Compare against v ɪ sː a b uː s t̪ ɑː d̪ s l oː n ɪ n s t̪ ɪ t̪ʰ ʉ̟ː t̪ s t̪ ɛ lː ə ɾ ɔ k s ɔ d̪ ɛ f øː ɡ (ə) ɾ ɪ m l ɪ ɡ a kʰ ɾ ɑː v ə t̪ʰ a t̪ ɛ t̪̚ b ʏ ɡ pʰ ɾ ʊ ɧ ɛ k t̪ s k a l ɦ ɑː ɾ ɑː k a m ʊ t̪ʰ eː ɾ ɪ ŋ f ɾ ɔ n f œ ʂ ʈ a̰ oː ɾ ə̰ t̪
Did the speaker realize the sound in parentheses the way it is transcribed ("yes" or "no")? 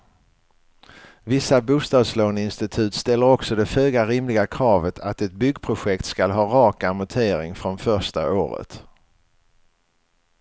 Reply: no